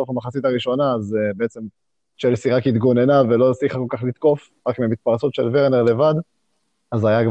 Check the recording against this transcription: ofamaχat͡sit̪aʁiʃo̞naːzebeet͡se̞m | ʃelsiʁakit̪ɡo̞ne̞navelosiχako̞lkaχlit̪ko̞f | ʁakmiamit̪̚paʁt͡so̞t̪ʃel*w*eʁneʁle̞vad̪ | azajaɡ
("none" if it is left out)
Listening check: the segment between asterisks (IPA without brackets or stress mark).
v